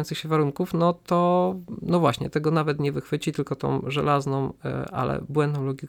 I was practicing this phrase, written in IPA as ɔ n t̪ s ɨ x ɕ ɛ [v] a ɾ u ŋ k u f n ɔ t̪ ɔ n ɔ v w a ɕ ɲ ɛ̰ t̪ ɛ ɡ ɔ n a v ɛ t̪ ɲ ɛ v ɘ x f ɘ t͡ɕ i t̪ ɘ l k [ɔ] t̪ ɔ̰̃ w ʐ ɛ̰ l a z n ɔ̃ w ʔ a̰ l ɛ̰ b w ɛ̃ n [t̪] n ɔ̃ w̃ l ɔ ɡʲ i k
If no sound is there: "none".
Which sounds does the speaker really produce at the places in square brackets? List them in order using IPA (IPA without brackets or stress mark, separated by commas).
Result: v, ɔ, d̪